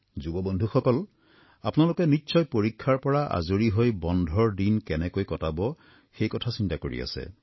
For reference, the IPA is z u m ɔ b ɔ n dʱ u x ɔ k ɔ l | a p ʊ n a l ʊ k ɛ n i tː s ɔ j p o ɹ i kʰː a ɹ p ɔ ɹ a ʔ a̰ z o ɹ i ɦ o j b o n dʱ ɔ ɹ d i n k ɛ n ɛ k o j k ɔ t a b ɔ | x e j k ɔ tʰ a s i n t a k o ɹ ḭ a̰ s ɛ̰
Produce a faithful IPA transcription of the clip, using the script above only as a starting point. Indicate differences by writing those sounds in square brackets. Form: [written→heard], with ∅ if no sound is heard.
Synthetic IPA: z u [m→b] ɔ b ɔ n dʱ u x ɔ k ɔ l | a p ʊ n a l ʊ k ɛ n i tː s ɔ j p o ɹ i kʰː a ɹ p ɔ ɹ a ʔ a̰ z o ɹ i ɦ o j b [o→ɔ] n dʱ ɔ ɹ d i n k ɛ n ɛ k o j k ɔ t a b ɔ | x e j k ɔ tʰ a s i n t a k o ɹ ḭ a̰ s ɛ̰

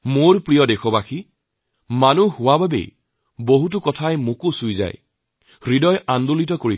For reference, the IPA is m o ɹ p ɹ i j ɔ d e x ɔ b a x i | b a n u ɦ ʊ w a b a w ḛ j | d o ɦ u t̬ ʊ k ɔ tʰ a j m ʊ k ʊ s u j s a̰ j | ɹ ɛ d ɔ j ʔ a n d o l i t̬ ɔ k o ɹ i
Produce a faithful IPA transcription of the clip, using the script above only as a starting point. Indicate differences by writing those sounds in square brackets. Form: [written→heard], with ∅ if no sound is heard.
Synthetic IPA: m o ɹ p ɹ i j ɔ d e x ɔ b a x i | [b→m] a n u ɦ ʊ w a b a [w→b] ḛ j | [d→b] o ɦ u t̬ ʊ k ɔ tʰ a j m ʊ k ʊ s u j [s→z] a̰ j | ɹ [ɛ→i] d ɔ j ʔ a n d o l i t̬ ɔ k o ɹ i

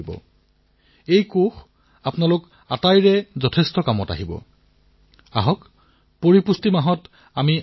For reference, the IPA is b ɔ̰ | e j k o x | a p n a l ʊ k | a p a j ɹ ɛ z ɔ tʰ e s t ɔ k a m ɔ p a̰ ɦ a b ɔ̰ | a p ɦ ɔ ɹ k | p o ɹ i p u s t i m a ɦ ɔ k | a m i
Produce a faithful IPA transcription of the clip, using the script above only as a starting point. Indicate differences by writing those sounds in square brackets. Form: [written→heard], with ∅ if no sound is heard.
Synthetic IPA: b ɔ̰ | e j k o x | a p n a l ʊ k | a [p→t] a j ɹ ɛ z ɔ tʰ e s t ɔ k a m ɔ [p→t] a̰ ɦ [a→i] b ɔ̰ | a [p→∅] ɦ ɔ [ɹ→∅] k | p o ɹ i p u s t i m a ɦ ɔ [k→t] | a m i

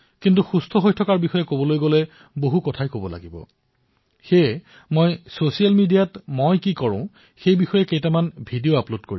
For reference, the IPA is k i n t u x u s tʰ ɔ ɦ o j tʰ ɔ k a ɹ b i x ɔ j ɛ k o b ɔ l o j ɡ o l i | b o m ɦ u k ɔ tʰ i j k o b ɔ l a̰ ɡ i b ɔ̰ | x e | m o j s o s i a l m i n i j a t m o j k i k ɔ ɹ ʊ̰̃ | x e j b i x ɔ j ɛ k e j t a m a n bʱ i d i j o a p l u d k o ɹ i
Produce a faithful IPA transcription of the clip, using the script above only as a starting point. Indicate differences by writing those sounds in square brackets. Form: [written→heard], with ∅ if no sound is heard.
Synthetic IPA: k i n t u x u s tʰ ɔ ɦ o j tʰ ɔ k a ɹ b i x ɔ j ɛ k o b ɔ l o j ɡ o l [i→ɛ] | b o [m→∅] ɦ u k ɔ tʰ [i→a] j k o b ɔ l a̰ ɡ i b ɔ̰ | x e | m o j s o s i a l m i [n→d] i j a t m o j k i k ɔ ɹ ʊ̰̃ | x e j b i x ɔ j ɛ k e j t a m a n bʱ i d i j o a p l [u→o] d k o ɹ i

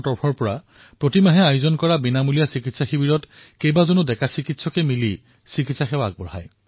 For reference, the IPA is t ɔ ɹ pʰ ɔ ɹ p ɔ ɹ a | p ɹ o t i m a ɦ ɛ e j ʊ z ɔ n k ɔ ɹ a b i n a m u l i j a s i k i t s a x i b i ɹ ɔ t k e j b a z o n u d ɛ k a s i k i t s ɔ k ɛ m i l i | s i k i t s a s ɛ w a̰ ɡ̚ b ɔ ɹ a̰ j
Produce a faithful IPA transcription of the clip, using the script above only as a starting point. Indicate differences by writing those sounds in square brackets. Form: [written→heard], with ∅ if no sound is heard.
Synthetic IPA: t ɔ ɹ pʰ ɔ ɹ p ɔ ɹ a | p ɹ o t i m a ɦ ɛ [e→a] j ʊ z ɔ n k ɔ ɹ a b i n a m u l i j a s i k i t s a x i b i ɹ ɔ t k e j b a z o n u d ɛ k a s i k i t s ɔ k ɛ m i l i | s i k i t s a [s→x] ɛ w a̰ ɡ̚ b ɔ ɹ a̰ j

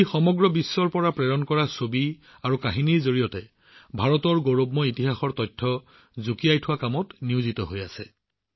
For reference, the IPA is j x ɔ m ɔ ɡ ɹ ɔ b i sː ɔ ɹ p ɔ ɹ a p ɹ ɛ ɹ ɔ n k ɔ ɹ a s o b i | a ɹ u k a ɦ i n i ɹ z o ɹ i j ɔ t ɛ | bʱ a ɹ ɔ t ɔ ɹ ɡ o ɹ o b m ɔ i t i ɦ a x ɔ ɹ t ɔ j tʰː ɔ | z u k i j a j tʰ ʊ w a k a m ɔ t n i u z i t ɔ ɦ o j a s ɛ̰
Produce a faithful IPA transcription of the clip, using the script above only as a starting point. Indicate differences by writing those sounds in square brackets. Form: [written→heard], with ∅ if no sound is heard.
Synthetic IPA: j x ɔ m ɔ ɡ ɹ ɔ b i sː ɔ ɹ p ɔ ɹ a p ɹ ɛ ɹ ɔ n k ɔ ɹ a s o b i | a ɹ u k a ɦ i n i ɹ z o ɹ i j ɔ t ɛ | bʱ a ɹ ɔ t ɔ ɹ ɡ o ɹ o b m ɔ i t i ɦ a x ɔ ɹ t ɔ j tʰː ɔ | z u k i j a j tʰ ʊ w a k a m ɔ t n i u z i t ɔ ɦ o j a s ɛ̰

